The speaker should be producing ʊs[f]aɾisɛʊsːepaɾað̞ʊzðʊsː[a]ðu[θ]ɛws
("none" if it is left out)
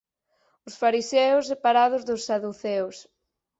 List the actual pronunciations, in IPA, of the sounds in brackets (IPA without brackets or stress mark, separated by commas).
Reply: f, a, θ